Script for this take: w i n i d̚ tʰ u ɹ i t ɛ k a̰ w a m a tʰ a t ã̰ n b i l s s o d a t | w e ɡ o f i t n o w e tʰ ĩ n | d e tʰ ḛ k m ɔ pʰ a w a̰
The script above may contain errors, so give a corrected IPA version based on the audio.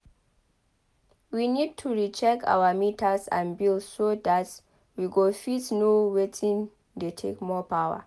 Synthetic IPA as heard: w i n i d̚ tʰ u ɹ i t͡ʃ ɛ k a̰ w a m i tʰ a s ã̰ n b i l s s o d a t | w i ɡ o f i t n o w e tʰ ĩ n | d e tʰ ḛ k m ɔ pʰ a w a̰